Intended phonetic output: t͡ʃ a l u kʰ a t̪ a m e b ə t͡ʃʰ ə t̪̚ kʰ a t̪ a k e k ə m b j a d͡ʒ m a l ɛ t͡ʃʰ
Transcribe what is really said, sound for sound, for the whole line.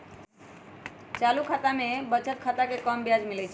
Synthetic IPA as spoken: t͡ʃ a l u kʰ a t̪ a m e b ə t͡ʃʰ ə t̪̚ kʰ a t̪ a k e k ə m b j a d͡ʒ m i l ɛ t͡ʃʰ